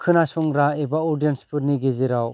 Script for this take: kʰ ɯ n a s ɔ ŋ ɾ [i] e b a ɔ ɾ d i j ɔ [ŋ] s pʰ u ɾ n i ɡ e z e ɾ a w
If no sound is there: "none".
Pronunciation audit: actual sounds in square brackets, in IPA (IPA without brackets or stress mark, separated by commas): a, n